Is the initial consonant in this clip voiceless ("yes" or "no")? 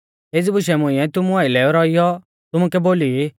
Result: no